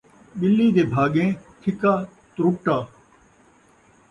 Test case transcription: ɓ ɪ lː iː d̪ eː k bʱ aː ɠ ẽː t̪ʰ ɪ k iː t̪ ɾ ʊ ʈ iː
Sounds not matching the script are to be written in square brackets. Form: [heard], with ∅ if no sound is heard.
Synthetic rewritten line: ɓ ɪ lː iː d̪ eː [∅] bʱ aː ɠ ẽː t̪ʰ ɪ k [aː] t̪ ɾ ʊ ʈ [aː]

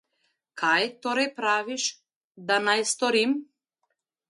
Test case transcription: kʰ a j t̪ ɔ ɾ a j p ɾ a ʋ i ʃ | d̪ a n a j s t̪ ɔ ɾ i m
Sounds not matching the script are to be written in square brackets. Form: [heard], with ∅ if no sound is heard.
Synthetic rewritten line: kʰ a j t̪ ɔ ɾ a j p ɾ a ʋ i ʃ | d̪ a n a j s t̪ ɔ ɾ i m

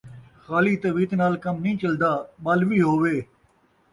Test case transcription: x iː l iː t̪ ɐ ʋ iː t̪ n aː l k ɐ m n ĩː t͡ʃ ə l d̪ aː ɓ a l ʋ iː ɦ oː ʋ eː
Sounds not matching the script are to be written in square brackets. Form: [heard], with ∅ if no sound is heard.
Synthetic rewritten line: x [aː] l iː t̪ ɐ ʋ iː t̪ n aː l k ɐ m n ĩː t͡ʃ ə l d̪ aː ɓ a l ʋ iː ɦ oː ʋ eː

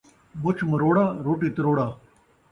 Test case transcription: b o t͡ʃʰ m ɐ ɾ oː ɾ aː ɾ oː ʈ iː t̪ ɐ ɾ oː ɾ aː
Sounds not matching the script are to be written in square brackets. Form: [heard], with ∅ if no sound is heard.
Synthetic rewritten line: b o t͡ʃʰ m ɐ ɾ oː [ɽ] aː ɾ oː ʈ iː t̪ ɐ ɾ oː [ɽ] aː

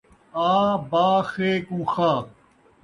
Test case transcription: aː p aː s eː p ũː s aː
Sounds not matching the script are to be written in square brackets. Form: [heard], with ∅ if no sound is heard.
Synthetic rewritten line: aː [b] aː [x] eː [k] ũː [x] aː

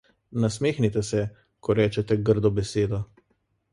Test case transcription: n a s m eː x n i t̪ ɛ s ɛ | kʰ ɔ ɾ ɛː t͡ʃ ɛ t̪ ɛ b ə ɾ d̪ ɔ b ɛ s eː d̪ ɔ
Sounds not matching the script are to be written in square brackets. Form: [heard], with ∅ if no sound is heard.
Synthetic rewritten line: n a s m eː x n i t̪ ɛ s ɛ | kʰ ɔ ɾ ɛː t͡ʃ ɛ t̪ ɛ [ɡ] ə ɾ d̪ ɔ b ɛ s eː d̪ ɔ

